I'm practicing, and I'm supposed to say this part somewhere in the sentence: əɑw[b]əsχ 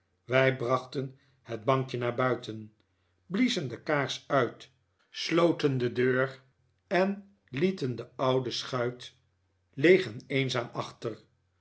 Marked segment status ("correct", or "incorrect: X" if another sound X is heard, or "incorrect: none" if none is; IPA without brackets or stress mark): incorrect: d